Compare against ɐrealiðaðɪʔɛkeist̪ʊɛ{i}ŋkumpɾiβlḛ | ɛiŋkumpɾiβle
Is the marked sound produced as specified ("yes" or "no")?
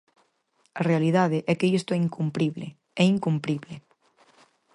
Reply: yes